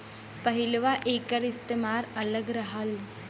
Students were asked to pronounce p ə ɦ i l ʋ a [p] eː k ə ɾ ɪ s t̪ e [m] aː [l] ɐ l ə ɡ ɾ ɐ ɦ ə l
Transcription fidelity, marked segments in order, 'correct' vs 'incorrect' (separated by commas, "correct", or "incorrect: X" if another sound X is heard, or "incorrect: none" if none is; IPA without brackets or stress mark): incorrect: ʔ, correct, incorrect: ɾ